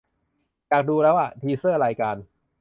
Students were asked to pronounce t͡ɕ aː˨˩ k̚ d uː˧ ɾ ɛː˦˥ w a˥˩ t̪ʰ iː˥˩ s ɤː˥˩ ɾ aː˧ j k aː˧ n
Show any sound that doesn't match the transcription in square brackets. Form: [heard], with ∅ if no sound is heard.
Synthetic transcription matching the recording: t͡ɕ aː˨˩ k̚ d uː˧ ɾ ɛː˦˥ w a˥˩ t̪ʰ [iː˧] s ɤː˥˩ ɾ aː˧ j k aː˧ n